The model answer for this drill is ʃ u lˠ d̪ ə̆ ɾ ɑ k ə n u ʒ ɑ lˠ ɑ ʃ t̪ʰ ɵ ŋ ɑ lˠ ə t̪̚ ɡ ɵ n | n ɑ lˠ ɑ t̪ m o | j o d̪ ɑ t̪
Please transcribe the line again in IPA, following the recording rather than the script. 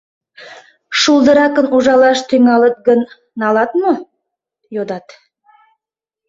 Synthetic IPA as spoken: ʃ u lˠ d̪ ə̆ ɾ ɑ k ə n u ʒ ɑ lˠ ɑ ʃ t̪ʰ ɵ ŋ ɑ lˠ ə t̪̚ ɡ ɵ n | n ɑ lˠ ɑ t̪ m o | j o d̪ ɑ t̪